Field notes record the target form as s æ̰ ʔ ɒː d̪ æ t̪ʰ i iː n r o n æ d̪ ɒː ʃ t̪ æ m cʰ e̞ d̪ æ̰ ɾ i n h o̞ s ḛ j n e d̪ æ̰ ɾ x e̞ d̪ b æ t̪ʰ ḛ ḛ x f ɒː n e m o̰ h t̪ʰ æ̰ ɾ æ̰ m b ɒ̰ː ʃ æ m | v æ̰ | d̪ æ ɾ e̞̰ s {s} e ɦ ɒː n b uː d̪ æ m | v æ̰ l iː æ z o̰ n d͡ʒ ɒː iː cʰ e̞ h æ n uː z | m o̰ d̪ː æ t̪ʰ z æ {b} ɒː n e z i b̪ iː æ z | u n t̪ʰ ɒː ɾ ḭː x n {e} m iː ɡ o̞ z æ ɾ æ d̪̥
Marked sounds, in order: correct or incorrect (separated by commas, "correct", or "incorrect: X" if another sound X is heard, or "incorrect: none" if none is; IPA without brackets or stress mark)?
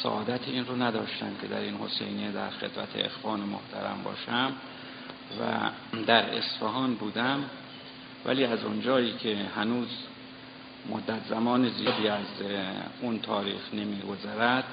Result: incorrect: f, incorrect: m, correct